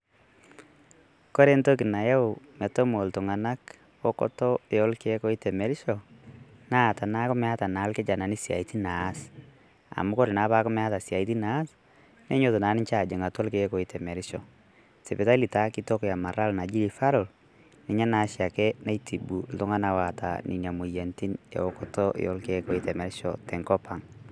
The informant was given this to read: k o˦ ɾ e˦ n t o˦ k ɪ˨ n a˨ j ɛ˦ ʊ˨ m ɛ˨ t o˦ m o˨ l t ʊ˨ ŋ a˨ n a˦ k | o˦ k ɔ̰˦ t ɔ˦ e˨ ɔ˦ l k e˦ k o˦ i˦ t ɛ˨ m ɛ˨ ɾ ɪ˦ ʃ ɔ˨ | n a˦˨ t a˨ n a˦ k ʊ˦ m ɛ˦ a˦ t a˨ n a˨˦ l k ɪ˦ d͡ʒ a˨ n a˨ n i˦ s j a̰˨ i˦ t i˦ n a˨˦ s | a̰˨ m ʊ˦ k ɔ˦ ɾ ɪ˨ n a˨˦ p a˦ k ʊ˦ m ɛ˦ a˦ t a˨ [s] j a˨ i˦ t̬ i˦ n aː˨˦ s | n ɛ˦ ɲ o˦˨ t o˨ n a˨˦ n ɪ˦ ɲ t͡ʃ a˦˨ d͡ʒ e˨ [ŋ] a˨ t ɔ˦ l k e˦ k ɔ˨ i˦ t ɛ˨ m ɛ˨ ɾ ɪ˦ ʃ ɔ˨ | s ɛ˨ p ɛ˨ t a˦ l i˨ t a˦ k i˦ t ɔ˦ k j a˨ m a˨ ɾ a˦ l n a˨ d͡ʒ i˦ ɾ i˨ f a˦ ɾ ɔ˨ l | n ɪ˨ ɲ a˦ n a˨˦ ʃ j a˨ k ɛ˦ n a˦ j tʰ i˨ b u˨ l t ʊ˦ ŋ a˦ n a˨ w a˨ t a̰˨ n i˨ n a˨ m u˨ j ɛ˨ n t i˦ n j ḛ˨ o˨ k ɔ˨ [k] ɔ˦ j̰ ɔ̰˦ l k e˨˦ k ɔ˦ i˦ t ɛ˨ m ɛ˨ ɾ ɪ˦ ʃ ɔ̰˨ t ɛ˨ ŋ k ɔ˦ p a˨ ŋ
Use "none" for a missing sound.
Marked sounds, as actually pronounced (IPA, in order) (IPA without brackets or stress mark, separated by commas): s, ŋ, t